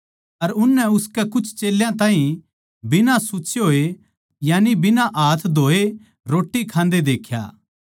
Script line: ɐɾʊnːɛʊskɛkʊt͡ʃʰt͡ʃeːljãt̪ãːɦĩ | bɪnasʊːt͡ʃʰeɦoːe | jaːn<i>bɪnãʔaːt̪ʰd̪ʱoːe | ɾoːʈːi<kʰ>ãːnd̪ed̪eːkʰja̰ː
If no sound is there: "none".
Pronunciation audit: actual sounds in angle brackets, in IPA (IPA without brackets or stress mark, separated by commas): i, kʰ